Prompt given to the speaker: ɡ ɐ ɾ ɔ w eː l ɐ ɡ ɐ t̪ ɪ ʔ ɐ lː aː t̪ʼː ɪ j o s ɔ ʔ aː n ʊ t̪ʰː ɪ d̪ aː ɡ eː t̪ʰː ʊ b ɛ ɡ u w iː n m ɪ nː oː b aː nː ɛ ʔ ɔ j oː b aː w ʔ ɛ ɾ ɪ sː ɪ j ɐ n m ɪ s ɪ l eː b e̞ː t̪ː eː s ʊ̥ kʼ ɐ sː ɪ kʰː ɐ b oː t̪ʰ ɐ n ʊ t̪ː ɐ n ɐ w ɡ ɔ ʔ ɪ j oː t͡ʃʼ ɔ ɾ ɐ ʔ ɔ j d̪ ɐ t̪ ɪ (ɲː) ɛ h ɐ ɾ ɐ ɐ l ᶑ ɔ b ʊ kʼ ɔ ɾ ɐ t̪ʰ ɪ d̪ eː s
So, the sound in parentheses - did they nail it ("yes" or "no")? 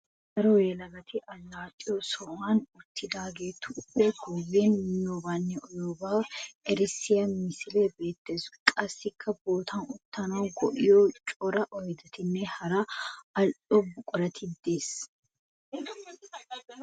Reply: no